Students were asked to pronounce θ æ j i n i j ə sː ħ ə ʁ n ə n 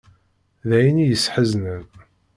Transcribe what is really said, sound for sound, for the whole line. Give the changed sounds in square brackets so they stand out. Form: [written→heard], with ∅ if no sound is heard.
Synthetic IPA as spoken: [θ→ð] æ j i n i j ə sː ħ ə [ʁ→z] n ə n